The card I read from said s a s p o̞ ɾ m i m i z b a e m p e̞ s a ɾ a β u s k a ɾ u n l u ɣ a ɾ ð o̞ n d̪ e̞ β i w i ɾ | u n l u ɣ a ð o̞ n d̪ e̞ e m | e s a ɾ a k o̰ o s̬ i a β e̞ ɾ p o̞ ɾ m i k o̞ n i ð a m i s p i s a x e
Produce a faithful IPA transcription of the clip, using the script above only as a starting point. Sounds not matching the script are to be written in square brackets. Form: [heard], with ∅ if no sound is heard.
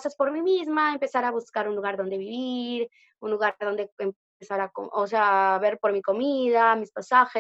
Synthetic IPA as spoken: s a s p o̞ ɾ m i m i z [m] a e m p e̞ s a ɾ a β u s k a ɾ u n l u ɣ a ɾ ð o̞ n d̪ e̞ β i [β] i ɾ | u n l u ɣ a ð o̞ n d̪ e̞ e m | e s a ɾ a k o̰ o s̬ [e] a β e̞ ɾ p o̞ ɾ m i k o̞ [m] i ð a m i s p [a] s a x e